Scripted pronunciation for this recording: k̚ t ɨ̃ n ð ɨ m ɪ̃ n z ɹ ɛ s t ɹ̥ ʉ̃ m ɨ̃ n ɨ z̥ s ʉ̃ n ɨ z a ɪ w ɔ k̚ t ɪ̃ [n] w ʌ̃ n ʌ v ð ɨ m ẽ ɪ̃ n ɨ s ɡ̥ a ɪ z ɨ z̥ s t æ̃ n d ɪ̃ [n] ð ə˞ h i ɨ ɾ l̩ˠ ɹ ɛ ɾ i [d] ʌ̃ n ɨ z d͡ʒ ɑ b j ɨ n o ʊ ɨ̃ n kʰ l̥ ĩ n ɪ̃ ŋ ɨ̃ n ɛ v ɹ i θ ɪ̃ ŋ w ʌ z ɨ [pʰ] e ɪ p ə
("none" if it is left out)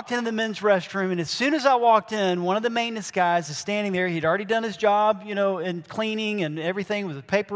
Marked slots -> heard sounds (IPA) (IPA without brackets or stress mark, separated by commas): n, ŋ, d, pʰ